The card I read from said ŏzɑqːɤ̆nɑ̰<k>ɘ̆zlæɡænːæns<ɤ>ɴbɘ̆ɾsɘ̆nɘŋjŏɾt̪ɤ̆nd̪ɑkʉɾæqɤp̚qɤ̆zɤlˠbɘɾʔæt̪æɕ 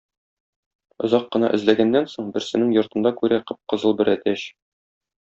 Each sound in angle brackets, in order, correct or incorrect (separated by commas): incorrect, incorrect